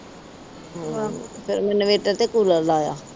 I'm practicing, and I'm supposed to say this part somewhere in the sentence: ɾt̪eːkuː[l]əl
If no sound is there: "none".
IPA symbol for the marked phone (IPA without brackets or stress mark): l